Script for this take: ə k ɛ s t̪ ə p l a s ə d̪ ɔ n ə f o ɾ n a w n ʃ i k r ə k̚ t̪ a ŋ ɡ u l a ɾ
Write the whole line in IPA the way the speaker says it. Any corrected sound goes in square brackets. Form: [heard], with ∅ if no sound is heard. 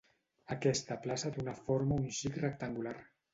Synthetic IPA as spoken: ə k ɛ s t̪ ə p l a s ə d̪ [u] n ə f o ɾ [m] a [u] n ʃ i k r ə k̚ t̪ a ŋ ɡ u l a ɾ